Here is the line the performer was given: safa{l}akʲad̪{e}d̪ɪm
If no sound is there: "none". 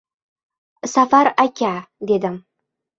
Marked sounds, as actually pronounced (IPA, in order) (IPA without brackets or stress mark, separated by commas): ɾ, e